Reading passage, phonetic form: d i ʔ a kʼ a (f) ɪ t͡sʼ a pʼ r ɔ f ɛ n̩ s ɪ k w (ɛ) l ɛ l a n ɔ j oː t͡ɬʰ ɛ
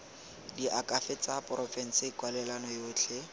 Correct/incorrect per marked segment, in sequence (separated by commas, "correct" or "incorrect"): correct, incorrect